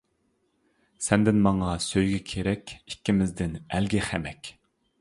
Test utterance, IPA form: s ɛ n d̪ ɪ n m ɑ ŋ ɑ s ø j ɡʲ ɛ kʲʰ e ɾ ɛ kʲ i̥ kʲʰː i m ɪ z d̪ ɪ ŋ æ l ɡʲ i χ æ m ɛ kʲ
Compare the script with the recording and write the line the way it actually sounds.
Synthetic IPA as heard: s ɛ n d̪ ɪ n m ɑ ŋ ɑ s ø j ɡʲ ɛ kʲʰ e ɾ ɛ kʲ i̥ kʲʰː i m ɪ z d̪ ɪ n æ l ɡʲ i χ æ m ɛ kʲ

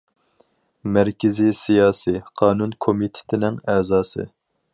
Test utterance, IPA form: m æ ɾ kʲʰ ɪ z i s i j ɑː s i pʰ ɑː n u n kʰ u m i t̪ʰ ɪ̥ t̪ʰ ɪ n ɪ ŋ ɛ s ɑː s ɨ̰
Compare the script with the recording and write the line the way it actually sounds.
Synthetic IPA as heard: m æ ɾ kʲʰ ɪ z i s i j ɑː s i qʰ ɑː n u n kʰ o m i t̪ʰ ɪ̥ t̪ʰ ɪ n ɪ ŋ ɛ z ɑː s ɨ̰

